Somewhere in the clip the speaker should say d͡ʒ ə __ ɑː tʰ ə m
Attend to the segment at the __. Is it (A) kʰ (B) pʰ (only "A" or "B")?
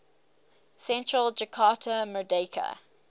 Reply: A